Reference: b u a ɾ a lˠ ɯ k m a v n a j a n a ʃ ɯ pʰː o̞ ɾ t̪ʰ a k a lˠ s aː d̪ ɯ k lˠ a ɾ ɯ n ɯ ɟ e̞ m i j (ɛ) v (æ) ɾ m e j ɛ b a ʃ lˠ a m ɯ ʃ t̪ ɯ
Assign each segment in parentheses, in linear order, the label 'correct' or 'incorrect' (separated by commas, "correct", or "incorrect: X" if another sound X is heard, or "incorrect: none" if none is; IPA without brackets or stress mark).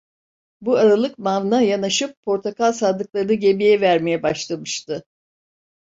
correct, correct